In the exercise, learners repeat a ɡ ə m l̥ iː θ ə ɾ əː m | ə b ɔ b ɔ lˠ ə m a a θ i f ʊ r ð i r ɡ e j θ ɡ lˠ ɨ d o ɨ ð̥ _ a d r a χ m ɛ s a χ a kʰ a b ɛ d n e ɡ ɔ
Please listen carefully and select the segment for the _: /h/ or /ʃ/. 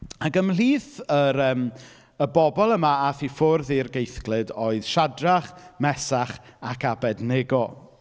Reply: ʃ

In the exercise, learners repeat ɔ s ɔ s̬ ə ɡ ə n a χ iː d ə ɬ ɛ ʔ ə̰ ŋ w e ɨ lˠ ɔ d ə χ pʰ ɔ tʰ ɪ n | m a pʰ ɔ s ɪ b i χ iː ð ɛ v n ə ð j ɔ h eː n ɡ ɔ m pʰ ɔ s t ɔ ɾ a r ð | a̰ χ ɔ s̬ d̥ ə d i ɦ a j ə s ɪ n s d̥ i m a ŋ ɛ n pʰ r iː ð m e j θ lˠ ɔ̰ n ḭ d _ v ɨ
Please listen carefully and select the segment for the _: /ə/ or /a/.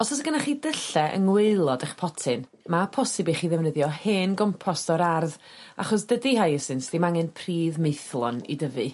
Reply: ə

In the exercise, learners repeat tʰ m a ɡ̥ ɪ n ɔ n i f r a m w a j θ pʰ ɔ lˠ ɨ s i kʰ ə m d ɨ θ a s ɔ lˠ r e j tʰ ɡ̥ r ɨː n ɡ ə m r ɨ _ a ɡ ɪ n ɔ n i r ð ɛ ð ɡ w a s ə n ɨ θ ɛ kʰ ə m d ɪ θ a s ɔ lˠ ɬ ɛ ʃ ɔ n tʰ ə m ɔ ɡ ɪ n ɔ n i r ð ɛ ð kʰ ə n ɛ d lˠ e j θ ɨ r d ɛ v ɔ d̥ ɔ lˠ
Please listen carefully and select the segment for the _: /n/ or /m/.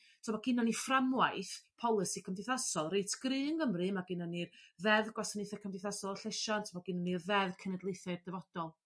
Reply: m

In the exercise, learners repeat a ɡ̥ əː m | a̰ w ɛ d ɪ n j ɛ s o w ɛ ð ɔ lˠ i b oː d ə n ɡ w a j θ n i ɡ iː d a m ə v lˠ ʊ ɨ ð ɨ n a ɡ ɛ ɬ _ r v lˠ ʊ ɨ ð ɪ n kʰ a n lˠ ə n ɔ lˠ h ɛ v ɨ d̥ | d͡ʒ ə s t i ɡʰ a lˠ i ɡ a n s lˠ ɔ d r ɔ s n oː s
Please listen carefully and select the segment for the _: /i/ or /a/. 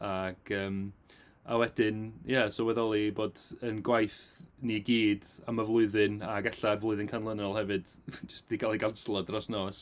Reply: a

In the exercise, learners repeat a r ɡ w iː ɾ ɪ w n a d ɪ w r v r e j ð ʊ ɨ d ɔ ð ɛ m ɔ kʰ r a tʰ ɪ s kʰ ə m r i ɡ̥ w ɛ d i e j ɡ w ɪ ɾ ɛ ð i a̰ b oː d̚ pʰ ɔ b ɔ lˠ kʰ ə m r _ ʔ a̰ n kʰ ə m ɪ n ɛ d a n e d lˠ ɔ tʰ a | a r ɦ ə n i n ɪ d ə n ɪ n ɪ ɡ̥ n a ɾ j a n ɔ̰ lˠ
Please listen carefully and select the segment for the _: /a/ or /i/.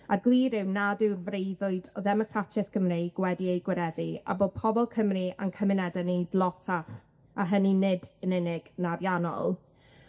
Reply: i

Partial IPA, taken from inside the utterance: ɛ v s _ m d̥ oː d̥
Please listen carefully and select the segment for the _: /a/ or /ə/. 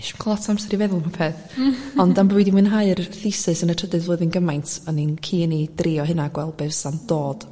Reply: a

